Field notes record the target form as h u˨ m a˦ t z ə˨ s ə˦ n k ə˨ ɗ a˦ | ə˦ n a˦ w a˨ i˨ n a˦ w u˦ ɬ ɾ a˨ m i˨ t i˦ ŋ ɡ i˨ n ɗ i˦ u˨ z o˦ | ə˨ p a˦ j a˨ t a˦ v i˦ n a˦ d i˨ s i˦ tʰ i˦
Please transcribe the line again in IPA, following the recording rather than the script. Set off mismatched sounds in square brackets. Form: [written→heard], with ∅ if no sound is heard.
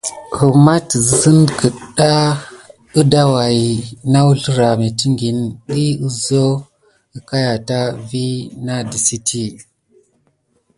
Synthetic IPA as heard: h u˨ m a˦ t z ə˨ s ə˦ n k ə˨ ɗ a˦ | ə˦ [n→d] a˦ w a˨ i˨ n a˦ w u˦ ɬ ɾ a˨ m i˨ t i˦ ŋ ɡ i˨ n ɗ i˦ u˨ z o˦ | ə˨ [p→k] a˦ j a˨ t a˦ v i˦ n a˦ d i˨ s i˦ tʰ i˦